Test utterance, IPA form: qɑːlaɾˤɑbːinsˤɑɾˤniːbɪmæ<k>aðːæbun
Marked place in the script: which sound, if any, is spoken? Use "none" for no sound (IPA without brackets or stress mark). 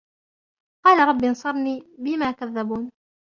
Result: k